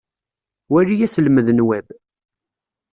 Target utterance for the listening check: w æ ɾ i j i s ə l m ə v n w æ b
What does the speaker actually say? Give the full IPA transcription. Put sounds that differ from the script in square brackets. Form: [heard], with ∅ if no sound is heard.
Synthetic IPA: w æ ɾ i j [æ] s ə l m ə [ð] n w æ b